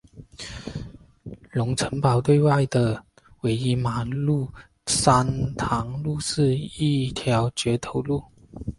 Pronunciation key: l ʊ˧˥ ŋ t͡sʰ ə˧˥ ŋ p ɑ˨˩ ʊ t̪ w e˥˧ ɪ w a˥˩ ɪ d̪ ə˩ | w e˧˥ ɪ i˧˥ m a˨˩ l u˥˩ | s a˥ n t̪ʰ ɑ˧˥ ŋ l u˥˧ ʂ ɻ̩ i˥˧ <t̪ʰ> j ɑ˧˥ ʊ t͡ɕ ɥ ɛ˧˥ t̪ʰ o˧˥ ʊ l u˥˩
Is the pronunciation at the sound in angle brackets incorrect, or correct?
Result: correct